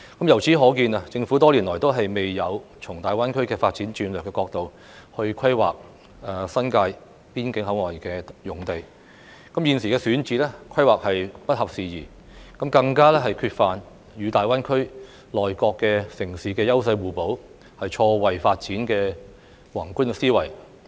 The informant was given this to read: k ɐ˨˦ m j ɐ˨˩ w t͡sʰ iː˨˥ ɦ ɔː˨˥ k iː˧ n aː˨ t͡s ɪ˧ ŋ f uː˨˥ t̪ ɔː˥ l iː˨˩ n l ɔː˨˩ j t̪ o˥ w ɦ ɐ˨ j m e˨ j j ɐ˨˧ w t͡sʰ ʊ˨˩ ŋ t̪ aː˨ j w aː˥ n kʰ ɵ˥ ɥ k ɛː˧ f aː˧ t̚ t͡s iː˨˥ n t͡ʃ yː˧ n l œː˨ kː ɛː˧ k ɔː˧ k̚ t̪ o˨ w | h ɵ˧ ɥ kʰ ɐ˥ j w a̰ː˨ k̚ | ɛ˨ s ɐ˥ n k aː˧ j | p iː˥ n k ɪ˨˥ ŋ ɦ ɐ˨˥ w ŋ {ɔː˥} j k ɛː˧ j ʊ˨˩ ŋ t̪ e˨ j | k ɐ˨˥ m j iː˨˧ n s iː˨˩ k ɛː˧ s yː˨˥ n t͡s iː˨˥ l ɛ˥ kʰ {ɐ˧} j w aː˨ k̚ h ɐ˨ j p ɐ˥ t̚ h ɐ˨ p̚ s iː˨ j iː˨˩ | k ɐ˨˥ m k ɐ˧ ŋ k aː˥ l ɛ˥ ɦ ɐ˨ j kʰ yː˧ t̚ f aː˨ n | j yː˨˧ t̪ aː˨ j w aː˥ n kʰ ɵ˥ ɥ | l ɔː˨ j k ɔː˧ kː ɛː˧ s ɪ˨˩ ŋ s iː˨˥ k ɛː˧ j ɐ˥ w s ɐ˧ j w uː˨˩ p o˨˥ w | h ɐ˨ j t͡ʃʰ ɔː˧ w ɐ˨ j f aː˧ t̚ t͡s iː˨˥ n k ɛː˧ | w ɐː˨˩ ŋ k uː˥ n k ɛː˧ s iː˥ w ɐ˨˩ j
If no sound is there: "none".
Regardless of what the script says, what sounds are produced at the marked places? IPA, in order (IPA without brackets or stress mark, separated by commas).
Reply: ɔː˨˩, ɐ˥